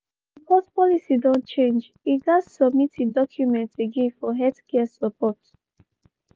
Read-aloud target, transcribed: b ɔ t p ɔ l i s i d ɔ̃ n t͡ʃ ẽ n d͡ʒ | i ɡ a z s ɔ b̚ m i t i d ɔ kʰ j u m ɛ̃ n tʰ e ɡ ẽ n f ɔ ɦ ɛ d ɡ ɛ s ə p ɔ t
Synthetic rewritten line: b ɔ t p ɔ l i s i d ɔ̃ n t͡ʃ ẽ n d͡ʒ | i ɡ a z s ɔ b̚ m i t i d ɔ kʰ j u m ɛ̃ n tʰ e ɡ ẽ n f ɔ ɦ ɛ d k ɛ s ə p ɔ t